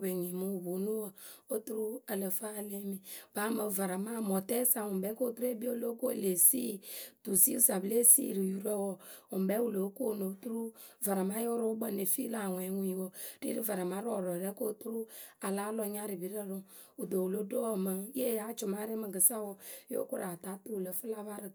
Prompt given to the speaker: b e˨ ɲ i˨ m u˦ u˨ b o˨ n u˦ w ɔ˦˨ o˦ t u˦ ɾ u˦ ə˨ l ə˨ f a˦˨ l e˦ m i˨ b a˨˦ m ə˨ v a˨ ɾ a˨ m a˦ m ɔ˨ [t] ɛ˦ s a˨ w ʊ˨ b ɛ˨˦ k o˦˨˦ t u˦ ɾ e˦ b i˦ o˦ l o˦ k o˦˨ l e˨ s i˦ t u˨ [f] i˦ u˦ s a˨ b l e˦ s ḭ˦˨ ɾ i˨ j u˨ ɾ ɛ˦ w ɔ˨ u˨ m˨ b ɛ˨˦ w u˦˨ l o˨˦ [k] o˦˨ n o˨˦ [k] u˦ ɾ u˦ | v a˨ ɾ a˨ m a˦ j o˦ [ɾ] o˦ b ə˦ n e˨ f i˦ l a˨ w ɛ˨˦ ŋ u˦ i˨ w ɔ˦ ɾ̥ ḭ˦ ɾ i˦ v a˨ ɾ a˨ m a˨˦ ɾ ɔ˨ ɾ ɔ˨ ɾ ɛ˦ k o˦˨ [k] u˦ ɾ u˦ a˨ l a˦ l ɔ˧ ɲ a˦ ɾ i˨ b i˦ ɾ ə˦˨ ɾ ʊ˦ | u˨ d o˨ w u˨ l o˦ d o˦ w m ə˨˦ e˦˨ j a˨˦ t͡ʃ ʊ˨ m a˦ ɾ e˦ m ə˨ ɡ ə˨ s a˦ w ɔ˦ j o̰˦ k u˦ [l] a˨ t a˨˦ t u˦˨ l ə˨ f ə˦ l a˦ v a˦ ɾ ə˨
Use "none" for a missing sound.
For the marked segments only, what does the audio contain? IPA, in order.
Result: t, s, k, t, ɾ, t, ɾ

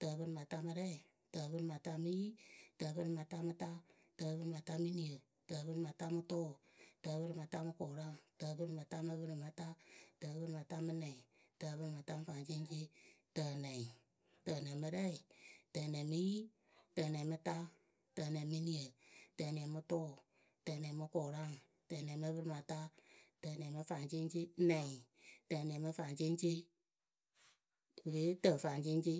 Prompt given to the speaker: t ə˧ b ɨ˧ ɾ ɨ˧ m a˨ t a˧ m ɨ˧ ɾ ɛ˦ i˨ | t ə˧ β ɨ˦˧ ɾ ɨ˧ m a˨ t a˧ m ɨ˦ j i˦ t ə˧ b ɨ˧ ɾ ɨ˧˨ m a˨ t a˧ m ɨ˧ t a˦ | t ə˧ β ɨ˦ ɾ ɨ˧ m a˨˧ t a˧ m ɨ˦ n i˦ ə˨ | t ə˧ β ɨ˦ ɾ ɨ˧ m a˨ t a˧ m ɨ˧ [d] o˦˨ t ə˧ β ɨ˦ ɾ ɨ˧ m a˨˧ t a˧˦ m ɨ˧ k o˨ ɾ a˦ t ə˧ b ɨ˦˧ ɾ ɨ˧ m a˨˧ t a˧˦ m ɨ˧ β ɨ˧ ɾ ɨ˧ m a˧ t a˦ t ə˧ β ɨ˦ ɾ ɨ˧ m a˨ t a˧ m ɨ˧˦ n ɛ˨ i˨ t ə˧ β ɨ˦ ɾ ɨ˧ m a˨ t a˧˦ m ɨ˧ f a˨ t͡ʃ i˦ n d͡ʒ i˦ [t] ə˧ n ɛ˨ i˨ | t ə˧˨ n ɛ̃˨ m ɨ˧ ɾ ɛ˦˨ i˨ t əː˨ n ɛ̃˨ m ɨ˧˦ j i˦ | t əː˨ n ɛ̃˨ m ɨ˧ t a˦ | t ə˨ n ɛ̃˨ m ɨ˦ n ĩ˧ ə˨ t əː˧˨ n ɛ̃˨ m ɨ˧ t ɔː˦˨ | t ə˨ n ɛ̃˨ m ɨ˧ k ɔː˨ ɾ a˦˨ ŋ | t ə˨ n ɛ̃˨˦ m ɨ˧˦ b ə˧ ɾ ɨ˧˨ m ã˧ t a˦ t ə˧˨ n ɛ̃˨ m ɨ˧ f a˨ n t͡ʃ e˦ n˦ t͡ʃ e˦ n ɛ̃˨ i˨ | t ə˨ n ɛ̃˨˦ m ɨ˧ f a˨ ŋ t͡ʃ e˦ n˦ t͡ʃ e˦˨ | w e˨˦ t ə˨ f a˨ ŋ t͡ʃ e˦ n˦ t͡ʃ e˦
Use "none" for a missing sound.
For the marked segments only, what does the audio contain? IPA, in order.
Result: t, t

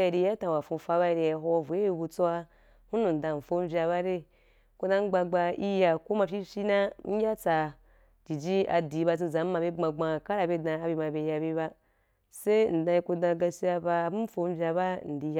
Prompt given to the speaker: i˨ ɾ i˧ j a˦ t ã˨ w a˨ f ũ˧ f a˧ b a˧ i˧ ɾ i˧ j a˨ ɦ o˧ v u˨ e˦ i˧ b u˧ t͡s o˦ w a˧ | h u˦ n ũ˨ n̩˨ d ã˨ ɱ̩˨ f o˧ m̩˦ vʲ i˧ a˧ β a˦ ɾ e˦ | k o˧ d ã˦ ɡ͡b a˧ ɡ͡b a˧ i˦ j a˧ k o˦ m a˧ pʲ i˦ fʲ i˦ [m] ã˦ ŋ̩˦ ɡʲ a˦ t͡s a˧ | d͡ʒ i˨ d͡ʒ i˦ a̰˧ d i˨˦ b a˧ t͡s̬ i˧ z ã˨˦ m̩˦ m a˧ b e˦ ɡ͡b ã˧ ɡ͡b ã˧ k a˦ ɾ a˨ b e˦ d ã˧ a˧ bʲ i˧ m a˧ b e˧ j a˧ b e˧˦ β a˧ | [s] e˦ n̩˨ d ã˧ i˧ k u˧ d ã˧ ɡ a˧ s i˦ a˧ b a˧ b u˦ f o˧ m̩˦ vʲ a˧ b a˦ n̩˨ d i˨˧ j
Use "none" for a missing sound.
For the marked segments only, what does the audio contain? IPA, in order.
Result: n, s

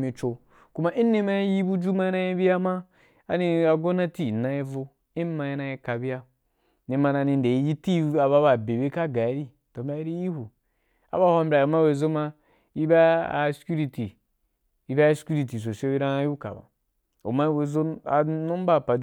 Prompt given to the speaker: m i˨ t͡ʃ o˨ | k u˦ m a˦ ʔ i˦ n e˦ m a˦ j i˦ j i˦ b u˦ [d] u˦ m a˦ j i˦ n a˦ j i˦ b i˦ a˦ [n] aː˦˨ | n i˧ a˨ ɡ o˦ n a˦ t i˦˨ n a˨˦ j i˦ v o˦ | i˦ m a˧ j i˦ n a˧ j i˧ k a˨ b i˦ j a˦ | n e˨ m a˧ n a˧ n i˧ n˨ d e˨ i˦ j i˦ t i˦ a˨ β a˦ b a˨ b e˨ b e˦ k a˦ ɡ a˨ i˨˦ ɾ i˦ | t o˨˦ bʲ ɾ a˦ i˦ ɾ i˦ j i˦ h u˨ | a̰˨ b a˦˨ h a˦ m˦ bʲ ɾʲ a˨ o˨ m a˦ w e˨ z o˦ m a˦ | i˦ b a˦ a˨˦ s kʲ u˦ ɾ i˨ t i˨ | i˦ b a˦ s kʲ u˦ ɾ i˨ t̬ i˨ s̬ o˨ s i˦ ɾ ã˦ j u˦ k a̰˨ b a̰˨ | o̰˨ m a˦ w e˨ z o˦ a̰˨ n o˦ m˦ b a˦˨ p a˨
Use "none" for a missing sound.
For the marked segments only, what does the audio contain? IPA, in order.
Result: d͡ʒ, m

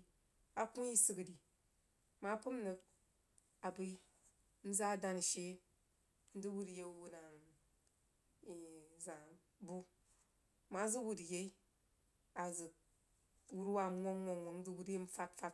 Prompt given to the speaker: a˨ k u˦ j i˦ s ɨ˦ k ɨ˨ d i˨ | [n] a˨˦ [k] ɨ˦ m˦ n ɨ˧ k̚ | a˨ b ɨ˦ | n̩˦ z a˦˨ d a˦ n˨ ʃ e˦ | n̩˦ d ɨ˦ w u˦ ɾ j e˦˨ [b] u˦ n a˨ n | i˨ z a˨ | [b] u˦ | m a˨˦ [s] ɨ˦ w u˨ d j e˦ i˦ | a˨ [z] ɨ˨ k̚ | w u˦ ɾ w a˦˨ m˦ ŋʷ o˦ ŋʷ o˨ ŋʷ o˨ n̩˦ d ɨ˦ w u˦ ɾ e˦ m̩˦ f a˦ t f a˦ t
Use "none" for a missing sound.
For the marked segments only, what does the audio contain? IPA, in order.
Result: m, p, w, b, z, z

